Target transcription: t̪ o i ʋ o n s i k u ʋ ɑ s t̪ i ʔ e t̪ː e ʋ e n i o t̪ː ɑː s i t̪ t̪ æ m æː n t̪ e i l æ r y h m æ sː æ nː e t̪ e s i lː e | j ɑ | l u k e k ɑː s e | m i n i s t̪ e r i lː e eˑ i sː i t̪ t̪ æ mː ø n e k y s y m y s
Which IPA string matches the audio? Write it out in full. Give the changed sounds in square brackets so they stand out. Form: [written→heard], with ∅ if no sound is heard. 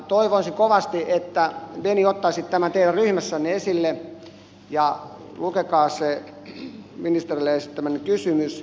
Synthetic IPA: t̪ o i ʋ o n s i k [u→o] ʋ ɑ s t̪ i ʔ e t̪ː [e→æ] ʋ e n i o t̪ː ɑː s i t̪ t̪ æ m [æː→æ] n t̪ e i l æ r y h m æ sː æ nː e [t̪→∅] e s i lː e | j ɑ | l u k e k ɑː s e | m i n i s t̪ e r i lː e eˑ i [sː→s] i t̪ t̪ æ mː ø n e k y s y m y s